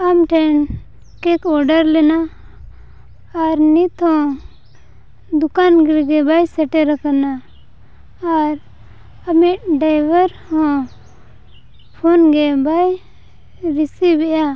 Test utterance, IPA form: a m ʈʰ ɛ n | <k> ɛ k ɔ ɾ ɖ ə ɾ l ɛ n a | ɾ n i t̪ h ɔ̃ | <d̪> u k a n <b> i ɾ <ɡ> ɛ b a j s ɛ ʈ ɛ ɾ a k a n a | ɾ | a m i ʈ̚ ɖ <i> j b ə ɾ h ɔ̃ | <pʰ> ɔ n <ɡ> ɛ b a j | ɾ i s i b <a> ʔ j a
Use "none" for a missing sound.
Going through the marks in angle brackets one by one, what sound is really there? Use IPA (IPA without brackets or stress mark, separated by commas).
k, d̪, ɡ, ɡ, a, pʰ, ɡ, ɛ